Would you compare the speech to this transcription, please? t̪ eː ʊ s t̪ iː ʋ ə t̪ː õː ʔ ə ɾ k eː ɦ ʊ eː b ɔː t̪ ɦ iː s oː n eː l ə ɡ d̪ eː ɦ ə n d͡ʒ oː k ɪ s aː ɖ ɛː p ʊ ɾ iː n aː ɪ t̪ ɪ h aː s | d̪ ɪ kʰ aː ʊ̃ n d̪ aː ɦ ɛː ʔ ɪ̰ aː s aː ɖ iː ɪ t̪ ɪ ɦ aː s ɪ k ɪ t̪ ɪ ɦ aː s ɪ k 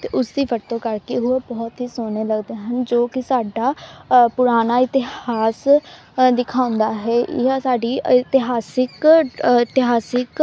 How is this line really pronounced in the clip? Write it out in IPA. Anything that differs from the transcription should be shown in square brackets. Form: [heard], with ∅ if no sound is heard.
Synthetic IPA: t̪ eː ʊ s [d̪] iː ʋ ə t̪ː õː [k] ə ɾ k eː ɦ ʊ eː b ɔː t̪ ɦ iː s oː n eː l ə ɡ d̪ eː ɦ ə n d͡ʒ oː k ɪ s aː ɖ [aː] p ʊ ɾ [aː] n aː ɪ t̪ ɪ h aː s | d̪ ɪ kʰ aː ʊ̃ n d̪ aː ɦ ɛː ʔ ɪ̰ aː s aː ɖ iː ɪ t̪ ɪ ɦ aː s ɪ k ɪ t̪ ɪ ɦ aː s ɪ k

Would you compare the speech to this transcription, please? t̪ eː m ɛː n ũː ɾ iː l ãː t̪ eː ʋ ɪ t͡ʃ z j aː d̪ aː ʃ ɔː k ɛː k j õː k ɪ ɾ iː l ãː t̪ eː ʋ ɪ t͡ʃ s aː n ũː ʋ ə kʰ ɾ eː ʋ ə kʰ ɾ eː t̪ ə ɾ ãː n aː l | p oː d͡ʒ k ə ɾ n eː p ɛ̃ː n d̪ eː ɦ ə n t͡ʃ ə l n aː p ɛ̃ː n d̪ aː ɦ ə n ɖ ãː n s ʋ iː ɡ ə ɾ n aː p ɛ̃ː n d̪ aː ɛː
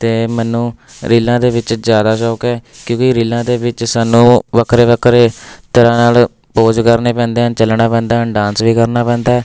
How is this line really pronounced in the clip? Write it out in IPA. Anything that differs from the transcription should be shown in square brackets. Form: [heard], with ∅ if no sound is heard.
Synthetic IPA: t̪ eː m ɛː n ũː ɾ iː l ãː [d̪] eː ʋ ɪ t͡ʃ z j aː d̪ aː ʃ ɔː k ɛː k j õː k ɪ ɾ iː l ãː [d̪] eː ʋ ɪ t͡ʃ s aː n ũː ʋ ə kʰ ɾ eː ʋ ə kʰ ɾ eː t̪ ə ɾ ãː n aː l | p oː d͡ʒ k ə ɾ n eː p ɛ̃ː n d̪ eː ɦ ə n t͡ʃ ə l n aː p ɛ̃ː n d̪ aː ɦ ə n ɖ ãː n s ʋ iː [k] ə ɾ n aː p ɛ̃ː n d̪ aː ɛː

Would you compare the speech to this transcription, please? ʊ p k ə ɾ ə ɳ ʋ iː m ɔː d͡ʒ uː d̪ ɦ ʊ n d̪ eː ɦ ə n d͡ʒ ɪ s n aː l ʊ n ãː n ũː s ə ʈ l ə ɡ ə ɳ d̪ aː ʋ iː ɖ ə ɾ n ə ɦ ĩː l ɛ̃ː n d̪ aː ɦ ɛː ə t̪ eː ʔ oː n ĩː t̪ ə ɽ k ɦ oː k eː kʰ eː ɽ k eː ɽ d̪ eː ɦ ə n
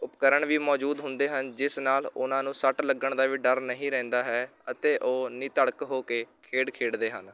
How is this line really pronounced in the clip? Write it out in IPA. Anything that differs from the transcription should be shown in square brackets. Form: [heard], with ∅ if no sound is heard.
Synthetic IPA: ʊ p k ə ɾ ə ɳ ʋ iː m ɔː d͡ʒ uː d̪ ɦ ʊ n d̪ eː ɦ ə n d͡ʒ ɪ s n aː l ʊ n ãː n ũː s ə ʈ l ə ɡ ə ɳ d̪ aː ʋ iː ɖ ə ɾ n ə ɦ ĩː [ɾ] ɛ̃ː n d̪ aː ɦ ɛː ə t̪ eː ʔ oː n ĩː t̪ ə ɽ k ɦ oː k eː kʰ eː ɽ [kʰ] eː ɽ d̪ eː ɦ ə n

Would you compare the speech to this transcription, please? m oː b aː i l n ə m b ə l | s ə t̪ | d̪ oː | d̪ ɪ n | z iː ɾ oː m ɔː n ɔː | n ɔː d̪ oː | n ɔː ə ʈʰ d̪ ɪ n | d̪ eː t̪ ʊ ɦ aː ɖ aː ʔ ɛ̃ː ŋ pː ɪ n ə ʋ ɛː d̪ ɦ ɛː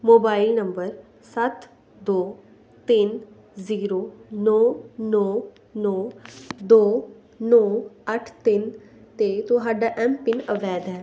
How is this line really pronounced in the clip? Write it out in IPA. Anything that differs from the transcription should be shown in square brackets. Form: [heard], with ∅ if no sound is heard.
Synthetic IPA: m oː b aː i l n ə m b ə [ɾ] | s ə t̪ | d̪ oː | [t̪] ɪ n | z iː ɾ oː [n] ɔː n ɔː | n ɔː d̪ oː | n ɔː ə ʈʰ [t̪] ɪ n | [t̪] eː t̪ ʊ ɦ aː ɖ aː ʔ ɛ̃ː [m] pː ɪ n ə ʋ ɛː d̪ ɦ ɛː

